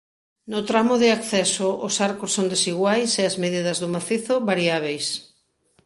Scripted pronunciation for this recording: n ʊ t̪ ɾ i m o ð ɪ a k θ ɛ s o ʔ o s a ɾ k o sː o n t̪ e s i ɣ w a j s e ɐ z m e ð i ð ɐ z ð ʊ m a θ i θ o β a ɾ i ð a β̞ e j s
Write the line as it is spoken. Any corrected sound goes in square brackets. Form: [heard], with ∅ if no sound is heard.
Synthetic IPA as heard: n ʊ t̪ ɾ [a] m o ð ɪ a k θ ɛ s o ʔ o s a ɾ k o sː o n [d̪] e s i ɣ w a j s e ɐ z m e ð i ð ɐ z ð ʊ m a θ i θ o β a ɾ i [∅] a β̞ e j s